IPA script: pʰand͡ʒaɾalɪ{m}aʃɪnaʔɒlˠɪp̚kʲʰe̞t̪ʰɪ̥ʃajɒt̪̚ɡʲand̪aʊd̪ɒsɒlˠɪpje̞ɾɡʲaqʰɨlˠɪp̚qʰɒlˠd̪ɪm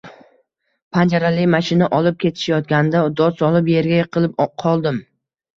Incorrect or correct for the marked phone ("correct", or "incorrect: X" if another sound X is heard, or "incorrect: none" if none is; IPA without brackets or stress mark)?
correct